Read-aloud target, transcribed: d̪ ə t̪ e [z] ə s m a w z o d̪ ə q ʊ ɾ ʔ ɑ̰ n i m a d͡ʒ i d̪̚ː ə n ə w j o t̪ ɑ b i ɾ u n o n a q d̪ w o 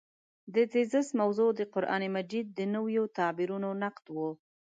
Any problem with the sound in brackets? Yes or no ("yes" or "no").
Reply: no